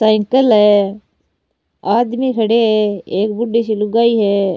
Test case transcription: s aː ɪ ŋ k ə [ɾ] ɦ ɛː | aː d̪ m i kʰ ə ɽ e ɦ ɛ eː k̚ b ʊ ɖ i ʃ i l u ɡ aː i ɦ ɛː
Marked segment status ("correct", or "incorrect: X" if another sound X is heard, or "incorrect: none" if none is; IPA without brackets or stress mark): incorrect: l